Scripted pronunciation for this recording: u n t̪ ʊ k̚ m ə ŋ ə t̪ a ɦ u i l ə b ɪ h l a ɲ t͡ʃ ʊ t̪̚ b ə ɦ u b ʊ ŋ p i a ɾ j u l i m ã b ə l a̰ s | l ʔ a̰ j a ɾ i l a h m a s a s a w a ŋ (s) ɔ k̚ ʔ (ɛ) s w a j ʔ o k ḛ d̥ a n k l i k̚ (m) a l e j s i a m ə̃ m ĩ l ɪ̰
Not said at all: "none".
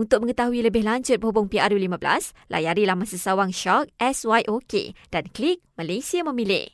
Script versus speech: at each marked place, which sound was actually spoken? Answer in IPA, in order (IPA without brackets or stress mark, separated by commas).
ʃ, ɛ, m